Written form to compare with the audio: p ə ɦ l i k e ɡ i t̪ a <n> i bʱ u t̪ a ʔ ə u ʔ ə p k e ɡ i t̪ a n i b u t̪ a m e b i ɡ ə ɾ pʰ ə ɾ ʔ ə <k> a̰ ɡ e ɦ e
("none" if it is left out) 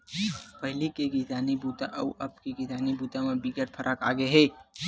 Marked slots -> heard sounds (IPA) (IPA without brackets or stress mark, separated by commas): n, k